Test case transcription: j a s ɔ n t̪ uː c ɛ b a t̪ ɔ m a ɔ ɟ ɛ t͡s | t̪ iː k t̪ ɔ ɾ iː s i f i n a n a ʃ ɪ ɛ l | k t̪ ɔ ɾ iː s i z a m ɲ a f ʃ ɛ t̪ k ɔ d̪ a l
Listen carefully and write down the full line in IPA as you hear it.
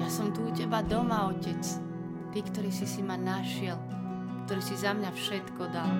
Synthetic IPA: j a s ɔ m t̪ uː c ɛ b a d̪ ɔ m a ɔ c ɛ t͡s | t̪ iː k t̪ ɔ ɾ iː s i s i m a n a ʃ ɪ ɛ l | k t̪ ɔ ɾ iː s i z a m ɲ a f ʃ ɛ t̪ k ɔ d̪ a l